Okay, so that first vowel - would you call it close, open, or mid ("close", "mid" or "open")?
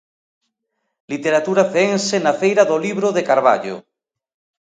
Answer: close